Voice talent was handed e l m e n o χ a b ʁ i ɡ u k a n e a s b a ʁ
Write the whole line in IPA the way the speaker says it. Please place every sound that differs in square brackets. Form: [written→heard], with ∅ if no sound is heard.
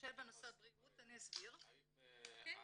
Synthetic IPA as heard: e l [m→b] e n o [χ→s] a b ʁ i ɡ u [k→t] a n [e→i] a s b [a→i] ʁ